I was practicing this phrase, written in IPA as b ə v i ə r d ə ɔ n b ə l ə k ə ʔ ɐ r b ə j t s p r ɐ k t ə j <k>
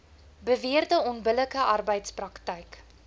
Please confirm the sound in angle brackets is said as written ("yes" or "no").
yes